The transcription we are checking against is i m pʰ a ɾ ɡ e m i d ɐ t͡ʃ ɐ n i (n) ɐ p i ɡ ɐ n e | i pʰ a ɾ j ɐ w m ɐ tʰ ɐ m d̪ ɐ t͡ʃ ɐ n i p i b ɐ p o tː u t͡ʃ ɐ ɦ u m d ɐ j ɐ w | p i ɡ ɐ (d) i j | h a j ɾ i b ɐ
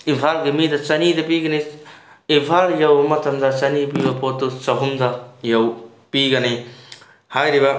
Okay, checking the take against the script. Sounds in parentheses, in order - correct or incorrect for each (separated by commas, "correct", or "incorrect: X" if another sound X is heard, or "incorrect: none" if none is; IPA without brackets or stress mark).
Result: incorrect: d, incorrect: n